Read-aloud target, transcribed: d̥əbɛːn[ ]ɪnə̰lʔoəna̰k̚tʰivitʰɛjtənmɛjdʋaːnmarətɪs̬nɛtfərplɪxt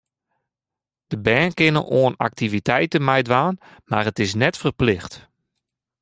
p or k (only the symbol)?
k